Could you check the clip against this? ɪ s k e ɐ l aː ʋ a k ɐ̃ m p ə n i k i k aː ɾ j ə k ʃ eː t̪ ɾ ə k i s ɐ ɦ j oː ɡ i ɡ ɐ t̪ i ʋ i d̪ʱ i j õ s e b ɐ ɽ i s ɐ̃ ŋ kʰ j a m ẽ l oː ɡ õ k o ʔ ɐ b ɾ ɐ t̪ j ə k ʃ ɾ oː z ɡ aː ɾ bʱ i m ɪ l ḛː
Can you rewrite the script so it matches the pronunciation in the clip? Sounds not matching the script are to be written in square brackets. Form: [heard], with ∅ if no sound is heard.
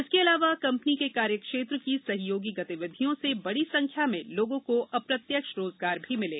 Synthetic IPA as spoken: ɪ s k e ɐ l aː ʋ a k ɐ̃ m p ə n i k [e] k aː ɾ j ə k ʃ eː t̪ ɾ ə k i s ɐ ɦ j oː ɡ i ɡ ɐ t̪ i ʋ [ɪ] d̪ʱ i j õ s e b ɐ ɽ i s ɐ̃ ŋ kʰ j a m ẽ l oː ɡ õ k o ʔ ɐ [p] ɾ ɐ t̪ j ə k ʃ ɾ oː z ɡ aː ɾ bʱ i m ɪ l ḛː